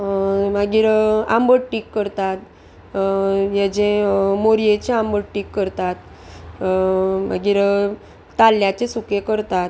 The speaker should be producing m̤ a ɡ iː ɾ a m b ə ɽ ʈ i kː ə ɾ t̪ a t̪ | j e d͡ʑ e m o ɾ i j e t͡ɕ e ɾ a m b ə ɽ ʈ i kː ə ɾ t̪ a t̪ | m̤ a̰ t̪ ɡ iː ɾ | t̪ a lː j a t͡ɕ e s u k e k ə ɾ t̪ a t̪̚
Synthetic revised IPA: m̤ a ɡ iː ɾ a m b ə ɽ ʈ i kː ə ɾ t̪ a t̪ | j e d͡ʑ e m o ɾ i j e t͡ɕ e a m b ə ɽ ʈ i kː ə ɾ t̪ a t̪ | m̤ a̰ ɡ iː ɾ | t̪ a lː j a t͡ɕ e s u k e k ə ɾ t̪ a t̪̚